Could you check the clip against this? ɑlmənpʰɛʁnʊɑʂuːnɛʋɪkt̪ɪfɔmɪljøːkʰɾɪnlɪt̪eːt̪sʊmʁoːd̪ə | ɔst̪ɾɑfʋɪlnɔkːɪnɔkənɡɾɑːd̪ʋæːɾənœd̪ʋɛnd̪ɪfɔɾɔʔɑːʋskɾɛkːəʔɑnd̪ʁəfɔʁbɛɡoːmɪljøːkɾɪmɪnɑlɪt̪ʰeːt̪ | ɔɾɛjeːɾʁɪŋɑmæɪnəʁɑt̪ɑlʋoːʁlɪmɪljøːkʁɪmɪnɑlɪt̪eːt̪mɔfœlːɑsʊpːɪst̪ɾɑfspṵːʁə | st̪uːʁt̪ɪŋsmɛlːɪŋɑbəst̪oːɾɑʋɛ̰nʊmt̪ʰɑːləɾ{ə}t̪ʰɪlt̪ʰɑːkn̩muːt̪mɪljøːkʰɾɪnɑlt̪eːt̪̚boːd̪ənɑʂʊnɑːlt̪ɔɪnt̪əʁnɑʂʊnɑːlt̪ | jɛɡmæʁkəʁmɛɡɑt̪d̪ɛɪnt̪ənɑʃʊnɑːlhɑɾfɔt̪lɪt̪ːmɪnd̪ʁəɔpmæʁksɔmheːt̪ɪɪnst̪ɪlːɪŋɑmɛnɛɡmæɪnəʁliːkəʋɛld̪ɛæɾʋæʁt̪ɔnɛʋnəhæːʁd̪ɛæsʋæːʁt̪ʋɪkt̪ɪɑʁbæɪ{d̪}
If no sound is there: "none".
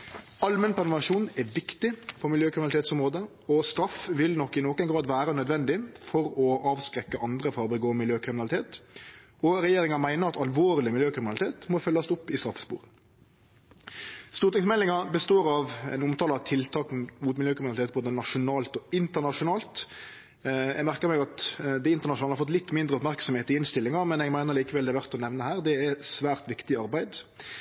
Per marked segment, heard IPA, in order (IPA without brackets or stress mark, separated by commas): ɑ, d̪